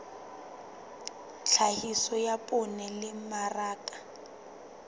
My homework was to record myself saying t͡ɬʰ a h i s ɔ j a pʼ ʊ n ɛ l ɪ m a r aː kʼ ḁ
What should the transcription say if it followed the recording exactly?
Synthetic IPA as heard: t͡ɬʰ a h i s ɔ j a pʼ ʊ n ɛ l ɪ m a r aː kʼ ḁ